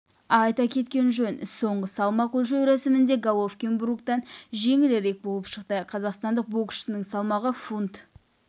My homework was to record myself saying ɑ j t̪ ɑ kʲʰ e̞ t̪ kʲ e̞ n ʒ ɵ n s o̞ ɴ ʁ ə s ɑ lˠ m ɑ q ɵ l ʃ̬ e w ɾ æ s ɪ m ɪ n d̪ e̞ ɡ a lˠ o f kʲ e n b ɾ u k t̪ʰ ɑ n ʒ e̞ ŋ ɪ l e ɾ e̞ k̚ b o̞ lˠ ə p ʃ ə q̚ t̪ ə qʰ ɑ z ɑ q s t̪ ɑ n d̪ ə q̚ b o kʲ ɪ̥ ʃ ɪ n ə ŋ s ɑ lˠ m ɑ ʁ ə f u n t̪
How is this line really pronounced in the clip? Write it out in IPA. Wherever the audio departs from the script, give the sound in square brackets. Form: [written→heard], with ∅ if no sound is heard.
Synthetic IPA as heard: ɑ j t̪ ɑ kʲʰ e̞ t̪ kʲ e̞ n ʒ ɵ n s o̞ ɴ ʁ ə s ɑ lˠ m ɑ q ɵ l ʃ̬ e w ɾ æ s ɪ m ɪ n d̪ e̞ ɡ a lˠ o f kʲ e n b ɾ u k [t̪ʰ→t̪] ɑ n ʒ e̞ ŋ ɪ l e ɾ e̞ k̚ b o̞ lˠ ə p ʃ ə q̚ t̪ ə qʰ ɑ z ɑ q s t̪ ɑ n d̪ ə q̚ b o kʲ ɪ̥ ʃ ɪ n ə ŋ s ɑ lˠ m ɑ ʁ ə f u n t̪